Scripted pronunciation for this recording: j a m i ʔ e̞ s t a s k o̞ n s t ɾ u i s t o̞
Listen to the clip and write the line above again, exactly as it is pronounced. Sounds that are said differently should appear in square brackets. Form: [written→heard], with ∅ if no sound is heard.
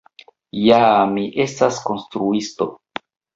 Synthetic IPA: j a m i ʔ e̞ s t a s k o̞ n s t ɾ u i s t o̞

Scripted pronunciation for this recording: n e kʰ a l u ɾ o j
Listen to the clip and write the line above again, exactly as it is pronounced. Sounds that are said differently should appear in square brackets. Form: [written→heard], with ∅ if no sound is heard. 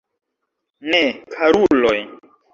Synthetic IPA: n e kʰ a [l→ɾ] u [ɾ→l] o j

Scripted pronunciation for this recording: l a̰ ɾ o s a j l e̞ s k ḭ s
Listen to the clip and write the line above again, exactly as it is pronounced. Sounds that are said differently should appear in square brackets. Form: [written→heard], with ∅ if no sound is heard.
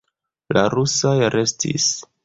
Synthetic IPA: l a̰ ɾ [o→u] s a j [l→ɾ] e̞ s [k→t] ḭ s

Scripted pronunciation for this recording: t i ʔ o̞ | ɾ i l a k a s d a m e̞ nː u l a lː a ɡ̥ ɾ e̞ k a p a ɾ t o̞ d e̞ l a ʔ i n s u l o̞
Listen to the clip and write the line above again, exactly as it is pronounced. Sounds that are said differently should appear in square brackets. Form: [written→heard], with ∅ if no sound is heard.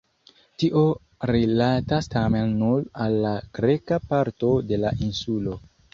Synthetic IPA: t i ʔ o̞ | ɾ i l a [k→t] a s [d→t] a m e̞ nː u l a lː a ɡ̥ ɾ e̞ k a p a ɾ t o̞ d e̞ l a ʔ i n s u l o̞

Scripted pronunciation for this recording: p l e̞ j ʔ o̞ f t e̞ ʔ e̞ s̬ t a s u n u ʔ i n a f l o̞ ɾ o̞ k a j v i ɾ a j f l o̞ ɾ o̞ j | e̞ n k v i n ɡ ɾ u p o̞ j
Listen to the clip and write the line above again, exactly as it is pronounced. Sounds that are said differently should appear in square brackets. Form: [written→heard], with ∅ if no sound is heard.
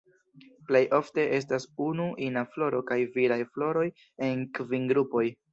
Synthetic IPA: p l e̞ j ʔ o̞ f t e̞ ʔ e̞ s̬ t a s u n u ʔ i n a f l o̞ ɾ o̞ k a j v i ɾ a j f l o̞ ɾ o̞ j | e̞ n k v i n ɡ ɾ u p o̞ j

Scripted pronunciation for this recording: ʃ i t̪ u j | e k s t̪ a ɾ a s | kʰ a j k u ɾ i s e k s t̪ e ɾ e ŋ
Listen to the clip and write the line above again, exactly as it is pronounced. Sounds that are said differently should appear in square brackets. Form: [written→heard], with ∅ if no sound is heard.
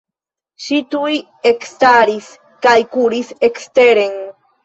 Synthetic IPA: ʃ i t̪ u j | e k s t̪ a ɾ [a→i] s | [kʰ→k] a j k u ɾ i s e k s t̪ e ɾ e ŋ

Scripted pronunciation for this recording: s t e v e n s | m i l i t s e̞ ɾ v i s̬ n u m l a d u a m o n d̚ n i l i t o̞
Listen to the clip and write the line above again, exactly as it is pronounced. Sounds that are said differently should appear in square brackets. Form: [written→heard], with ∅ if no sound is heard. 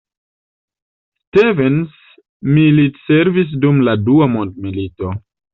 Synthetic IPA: s t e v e n s | m i l i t s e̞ ɾ v i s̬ [n→d] u m l a d u a m o n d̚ [n→m] i l i t o̞

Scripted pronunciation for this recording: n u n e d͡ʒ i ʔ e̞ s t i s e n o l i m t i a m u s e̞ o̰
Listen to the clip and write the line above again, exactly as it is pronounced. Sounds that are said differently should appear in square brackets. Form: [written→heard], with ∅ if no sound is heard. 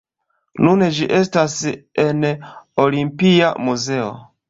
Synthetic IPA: n u n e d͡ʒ i ʔ e̞ s t [i→a] s e n o l i m [t→p] i a m u [s→z] e̞ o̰

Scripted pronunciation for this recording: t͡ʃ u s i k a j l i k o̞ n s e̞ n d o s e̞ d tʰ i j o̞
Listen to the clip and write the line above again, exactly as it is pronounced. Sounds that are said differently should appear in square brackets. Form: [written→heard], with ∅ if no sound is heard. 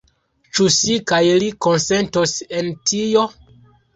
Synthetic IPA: t͡ʃ u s i k a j l i k o̞ n s e̞ n [d→t] o s e̞ [d→n] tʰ i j o̞

